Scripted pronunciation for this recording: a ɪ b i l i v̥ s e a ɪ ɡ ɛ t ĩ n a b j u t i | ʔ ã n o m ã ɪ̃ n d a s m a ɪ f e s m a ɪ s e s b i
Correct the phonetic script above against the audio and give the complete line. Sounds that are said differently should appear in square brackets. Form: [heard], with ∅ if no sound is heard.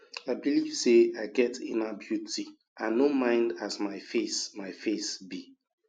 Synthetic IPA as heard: a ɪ b i l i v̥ s e a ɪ ɡ ɛ t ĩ n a b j u t i | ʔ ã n o m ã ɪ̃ n d a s m a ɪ f e s m a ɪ [f] e s b i